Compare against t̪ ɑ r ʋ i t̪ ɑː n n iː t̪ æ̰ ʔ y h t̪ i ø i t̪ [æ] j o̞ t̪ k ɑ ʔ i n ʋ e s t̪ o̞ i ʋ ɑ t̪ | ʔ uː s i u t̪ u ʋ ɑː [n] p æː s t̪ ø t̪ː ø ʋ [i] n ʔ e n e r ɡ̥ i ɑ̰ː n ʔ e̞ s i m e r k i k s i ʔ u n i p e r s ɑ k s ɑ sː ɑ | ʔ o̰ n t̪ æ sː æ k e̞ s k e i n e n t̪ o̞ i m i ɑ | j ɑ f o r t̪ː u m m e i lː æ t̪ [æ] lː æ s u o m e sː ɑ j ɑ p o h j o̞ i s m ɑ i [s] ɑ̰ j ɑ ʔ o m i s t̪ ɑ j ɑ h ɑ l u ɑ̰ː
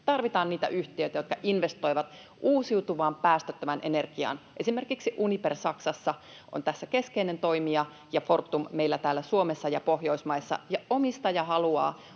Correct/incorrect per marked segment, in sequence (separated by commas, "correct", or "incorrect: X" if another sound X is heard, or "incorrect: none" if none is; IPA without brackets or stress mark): correct, incorrect: m, incorrect: æ, incorrect: æː, incorrect: sː